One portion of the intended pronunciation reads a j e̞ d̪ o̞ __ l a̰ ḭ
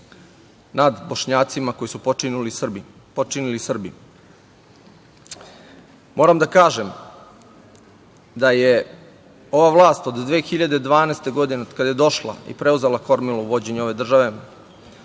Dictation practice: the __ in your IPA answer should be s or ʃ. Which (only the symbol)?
ʃ